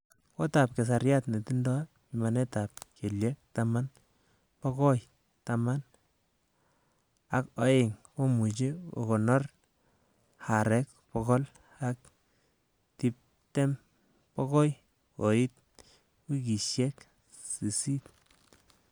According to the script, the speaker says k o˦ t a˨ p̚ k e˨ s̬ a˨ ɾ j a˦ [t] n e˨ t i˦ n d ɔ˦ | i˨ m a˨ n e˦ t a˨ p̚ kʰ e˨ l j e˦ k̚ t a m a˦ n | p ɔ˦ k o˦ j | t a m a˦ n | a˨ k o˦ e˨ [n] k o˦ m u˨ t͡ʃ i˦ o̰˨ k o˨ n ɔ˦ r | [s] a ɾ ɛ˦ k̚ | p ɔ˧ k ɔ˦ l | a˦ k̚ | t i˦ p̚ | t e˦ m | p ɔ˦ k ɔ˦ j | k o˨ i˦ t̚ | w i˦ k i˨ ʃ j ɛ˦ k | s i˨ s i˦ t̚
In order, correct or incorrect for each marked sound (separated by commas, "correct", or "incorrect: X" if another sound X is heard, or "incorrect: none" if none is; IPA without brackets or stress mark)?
correct, incorrect: ŋ, incorrect: h